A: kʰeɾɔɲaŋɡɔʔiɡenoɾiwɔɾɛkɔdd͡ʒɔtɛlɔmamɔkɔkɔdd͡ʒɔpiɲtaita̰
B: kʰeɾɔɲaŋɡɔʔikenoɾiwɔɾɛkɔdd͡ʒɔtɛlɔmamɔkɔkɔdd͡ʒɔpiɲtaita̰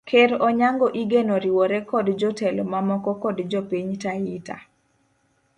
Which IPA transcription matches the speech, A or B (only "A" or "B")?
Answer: A